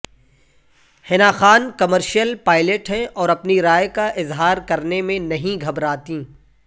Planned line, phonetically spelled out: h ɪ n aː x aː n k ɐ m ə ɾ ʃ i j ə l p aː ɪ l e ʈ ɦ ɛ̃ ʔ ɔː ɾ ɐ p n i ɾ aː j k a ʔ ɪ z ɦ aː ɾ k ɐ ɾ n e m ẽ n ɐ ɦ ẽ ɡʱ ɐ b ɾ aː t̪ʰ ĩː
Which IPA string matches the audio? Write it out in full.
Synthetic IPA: h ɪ n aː x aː n k ɐ m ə ɾ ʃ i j ə l p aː ɪ l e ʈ ɦ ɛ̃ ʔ ɔː ɾ ɐ p n i ɾ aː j k a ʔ ɪ z ɦ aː ɾ k ɐ ɾ n e m ẽ n ɐ ɦ ĩ ɡʱ ɐ b ɾ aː t̪ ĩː